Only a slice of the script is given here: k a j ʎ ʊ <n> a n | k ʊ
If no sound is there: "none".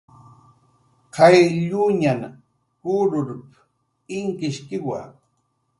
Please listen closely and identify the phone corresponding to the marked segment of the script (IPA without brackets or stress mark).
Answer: ɲ